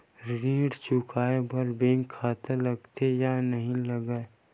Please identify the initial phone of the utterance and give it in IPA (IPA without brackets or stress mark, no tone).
ɾ